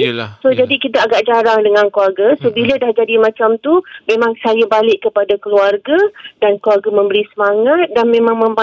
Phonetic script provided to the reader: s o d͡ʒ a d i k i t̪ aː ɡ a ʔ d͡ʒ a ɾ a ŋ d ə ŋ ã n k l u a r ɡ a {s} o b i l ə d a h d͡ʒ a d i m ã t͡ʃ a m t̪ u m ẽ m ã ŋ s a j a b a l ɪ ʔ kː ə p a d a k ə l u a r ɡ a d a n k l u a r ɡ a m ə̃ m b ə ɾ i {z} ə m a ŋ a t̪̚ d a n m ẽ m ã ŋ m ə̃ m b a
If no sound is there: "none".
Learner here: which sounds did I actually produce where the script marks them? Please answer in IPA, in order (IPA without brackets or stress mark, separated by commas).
s, s